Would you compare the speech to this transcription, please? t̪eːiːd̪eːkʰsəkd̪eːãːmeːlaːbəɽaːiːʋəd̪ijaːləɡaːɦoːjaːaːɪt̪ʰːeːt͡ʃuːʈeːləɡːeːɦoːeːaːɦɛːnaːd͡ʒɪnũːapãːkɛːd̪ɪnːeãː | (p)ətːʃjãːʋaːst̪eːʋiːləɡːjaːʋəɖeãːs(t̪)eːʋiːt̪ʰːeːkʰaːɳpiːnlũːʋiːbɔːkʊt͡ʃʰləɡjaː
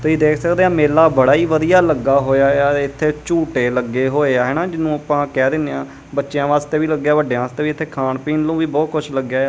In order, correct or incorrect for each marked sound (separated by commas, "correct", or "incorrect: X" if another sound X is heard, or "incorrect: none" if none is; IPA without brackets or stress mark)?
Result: incorrect: b, correct